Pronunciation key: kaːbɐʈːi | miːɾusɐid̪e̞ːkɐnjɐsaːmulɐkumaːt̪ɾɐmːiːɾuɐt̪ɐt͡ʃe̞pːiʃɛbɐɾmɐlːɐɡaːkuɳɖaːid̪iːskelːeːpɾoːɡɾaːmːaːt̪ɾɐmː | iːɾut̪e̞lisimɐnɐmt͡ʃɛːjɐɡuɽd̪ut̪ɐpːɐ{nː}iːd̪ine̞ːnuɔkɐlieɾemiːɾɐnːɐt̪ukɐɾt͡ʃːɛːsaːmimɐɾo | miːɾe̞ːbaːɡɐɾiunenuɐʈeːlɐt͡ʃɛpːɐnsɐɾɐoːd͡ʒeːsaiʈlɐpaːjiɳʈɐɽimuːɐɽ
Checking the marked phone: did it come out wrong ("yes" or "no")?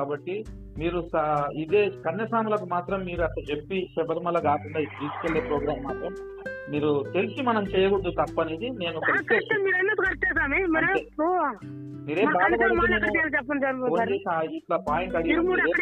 yes